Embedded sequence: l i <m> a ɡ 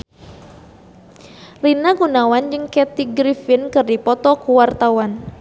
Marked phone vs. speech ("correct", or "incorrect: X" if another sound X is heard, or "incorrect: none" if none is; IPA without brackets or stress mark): incorrect: n